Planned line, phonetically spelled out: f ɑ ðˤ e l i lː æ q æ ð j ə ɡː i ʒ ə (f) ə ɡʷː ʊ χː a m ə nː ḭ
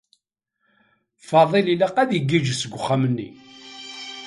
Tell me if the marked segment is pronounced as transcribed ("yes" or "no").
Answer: no